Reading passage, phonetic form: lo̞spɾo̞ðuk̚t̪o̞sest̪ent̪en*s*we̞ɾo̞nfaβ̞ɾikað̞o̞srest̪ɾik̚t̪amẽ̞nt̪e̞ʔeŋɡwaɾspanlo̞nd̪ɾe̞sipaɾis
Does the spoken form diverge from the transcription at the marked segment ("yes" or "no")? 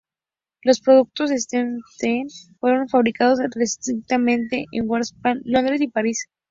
yes